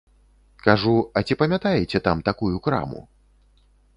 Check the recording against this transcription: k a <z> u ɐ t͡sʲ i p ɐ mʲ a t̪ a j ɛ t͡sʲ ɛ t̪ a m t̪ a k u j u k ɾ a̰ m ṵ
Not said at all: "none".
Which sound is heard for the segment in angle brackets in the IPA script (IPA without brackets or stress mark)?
ʐ